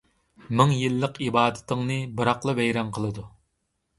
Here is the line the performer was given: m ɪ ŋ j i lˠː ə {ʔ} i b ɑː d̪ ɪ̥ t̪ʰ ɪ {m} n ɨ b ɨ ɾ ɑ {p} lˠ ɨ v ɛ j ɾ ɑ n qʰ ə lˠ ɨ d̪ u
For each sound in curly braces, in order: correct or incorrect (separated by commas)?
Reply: incorrect, incorrect, incorrect